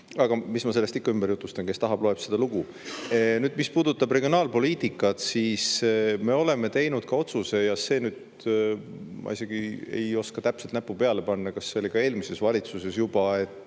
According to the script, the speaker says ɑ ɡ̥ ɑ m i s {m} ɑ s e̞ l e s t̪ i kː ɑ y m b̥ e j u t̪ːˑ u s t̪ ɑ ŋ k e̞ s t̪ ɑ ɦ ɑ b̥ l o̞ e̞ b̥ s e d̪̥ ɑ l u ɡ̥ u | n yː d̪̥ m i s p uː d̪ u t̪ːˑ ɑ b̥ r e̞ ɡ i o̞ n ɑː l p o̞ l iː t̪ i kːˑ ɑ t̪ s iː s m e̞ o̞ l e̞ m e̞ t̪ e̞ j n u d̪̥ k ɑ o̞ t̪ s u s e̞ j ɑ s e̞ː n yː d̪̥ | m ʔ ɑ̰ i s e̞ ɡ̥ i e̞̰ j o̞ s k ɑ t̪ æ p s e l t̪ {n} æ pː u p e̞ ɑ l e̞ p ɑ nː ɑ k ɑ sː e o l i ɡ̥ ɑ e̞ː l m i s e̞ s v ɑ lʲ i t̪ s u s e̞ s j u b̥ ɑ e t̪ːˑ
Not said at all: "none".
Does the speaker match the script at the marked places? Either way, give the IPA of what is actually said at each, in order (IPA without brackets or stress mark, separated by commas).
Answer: m, n